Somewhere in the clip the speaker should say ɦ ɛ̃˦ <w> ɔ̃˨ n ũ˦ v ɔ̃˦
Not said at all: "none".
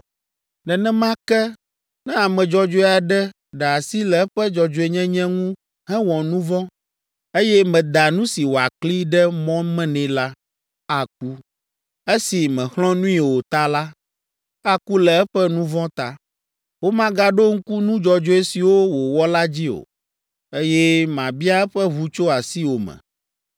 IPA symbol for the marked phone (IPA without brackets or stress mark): w